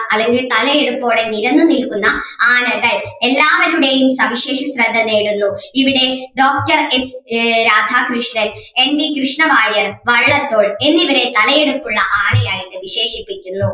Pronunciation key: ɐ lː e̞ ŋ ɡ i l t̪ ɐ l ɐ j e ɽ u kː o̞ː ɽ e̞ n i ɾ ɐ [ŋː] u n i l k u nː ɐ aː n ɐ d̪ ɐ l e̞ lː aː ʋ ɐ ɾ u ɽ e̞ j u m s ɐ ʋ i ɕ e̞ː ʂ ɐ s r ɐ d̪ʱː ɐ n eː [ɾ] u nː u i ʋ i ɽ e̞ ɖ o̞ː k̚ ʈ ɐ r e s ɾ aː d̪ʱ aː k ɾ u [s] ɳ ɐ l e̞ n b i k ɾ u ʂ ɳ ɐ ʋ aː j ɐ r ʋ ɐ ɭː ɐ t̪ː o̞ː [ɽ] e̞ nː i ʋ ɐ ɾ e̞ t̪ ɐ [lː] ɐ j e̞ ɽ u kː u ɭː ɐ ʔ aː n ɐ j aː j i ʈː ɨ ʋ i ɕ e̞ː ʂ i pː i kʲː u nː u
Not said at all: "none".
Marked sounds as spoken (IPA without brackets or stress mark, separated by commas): nː, ɽ, ʂ, ɭ, l